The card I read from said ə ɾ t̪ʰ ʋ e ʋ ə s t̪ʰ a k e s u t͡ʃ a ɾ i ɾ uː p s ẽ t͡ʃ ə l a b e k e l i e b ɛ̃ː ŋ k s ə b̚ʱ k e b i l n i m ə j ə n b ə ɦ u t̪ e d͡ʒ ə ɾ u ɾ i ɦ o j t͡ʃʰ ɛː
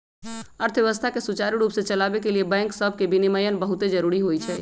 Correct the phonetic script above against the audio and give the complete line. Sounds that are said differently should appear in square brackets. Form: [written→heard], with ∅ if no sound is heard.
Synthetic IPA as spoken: ə ɾ t̪ʰ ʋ e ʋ ə s t̪ʰ a k e s u t͡ʃ a ɾ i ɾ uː p s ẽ t͡ʃ ə l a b e k e l i e b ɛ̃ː ŋ k s ə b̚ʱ k e b i [l→∅] n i m ə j ə n b ə ɦ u t̪ e d͡ʒ ə ɾ u ɾ i ɦ o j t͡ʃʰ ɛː